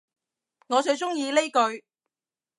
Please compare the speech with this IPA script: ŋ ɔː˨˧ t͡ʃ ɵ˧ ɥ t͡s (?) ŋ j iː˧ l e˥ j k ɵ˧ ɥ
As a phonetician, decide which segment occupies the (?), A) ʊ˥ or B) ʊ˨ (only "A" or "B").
A